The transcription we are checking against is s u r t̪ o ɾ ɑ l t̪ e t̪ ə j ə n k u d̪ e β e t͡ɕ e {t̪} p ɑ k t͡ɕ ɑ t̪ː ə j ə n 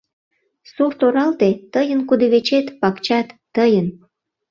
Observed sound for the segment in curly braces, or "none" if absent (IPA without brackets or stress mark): t̪